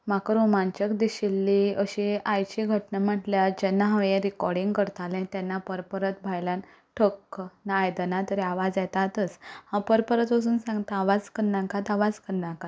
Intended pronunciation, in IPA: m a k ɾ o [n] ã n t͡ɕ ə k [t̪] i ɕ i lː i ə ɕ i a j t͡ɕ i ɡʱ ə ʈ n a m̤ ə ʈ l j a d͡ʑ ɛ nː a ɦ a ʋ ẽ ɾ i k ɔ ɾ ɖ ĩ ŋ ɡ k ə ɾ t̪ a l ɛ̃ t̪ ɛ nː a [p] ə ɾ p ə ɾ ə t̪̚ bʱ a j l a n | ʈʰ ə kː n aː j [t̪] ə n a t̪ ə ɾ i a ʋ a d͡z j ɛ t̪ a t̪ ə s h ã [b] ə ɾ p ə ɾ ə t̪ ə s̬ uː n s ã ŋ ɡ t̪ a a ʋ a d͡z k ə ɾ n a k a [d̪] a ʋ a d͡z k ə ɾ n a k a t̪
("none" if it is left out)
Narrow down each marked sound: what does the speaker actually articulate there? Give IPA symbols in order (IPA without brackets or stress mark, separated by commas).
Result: m, d̪, p, d̪, p, t̪